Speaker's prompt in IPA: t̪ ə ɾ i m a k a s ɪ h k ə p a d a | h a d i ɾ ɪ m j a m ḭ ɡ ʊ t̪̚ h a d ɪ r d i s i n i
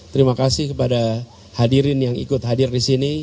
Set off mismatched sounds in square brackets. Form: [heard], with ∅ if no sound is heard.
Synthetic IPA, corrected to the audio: t̪ ə ɾ i m a k a s ɪ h k ə p a d a | h a d i ɾ ɪ [n] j a [ŋ] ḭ [k] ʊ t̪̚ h a d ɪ r d i s i n i